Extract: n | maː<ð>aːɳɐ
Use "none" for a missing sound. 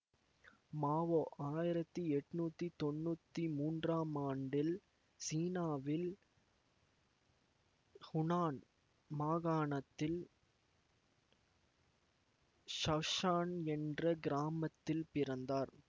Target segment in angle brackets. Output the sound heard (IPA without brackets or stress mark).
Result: ɣ